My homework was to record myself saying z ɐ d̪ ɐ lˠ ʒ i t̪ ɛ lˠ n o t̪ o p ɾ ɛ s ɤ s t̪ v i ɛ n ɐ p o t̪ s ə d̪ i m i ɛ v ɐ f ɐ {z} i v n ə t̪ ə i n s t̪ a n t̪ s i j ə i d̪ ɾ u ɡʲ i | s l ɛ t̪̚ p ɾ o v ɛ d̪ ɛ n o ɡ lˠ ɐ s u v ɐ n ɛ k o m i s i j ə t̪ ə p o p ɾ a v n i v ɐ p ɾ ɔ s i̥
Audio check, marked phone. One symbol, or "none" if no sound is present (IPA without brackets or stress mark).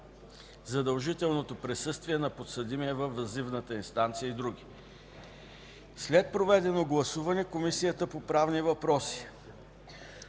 z